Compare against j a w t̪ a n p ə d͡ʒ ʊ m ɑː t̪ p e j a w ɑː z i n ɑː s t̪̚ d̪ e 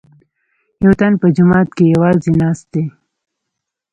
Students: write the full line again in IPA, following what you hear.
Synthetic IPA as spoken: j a w t̪ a n p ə d͡ʒ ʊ m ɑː t̪ k e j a w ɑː z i n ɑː s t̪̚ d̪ e